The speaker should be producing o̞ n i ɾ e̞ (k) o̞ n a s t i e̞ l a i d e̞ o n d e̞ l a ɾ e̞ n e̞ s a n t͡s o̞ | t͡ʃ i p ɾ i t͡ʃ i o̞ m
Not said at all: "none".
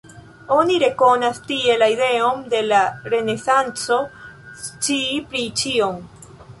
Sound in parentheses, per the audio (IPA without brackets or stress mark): k